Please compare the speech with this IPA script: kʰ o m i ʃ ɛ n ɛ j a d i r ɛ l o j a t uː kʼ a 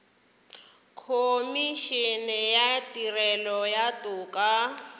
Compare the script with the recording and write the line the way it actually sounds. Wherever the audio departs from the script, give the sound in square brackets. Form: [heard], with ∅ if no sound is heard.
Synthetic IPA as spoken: kʰ o m i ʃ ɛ n ɛ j a [t] i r ɛ l [ɔ] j a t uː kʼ a